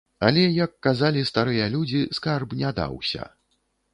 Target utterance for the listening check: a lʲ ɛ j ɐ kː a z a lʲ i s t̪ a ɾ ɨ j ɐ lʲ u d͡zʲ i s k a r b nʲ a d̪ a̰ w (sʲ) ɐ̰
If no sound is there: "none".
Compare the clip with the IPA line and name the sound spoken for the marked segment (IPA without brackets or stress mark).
sʲ